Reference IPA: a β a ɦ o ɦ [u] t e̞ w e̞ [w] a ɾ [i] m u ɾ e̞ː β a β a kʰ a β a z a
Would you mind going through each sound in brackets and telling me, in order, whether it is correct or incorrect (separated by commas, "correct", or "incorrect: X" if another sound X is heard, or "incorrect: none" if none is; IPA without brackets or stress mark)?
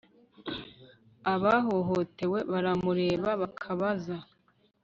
incorrect: o, incorrect: β, incorrect: a